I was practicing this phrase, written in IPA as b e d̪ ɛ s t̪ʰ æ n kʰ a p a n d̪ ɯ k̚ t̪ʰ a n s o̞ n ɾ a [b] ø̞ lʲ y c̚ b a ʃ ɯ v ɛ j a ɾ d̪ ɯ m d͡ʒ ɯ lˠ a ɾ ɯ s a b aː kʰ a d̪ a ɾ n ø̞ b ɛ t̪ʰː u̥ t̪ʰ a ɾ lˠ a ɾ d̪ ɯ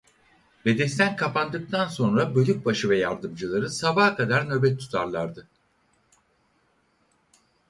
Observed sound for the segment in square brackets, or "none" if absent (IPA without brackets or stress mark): b